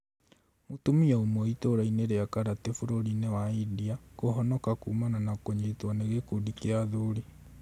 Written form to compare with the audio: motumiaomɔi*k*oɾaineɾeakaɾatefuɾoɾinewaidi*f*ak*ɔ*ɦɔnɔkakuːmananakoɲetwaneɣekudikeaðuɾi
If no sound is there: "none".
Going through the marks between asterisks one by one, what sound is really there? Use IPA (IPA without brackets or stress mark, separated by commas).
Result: t, none, o